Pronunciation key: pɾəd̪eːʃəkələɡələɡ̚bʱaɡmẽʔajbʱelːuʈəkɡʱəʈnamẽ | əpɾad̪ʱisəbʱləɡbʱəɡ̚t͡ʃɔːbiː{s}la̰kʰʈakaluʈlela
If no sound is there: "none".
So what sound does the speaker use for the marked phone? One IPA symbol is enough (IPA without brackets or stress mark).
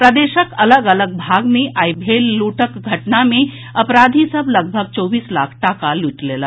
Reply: s